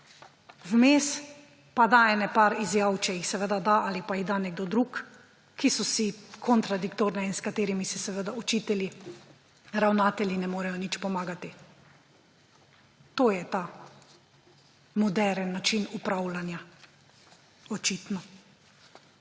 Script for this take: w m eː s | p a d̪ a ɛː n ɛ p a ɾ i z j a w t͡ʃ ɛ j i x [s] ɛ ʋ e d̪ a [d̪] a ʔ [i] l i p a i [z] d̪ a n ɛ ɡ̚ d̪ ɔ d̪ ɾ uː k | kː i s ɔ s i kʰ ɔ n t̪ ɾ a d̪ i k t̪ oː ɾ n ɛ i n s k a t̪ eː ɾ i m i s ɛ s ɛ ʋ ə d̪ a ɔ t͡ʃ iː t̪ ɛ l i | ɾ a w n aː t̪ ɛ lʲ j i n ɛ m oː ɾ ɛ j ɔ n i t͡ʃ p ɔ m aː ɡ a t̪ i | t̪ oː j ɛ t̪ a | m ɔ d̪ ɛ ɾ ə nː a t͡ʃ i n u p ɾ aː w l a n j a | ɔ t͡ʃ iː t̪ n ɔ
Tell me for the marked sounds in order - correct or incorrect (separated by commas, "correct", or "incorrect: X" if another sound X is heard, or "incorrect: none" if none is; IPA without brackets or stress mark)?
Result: correct, correct, incorrect: a, incorrect: ɣ